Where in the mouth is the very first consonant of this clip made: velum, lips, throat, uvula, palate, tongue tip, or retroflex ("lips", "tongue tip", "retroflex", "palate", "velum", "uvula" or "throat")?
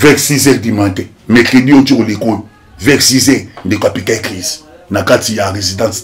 lips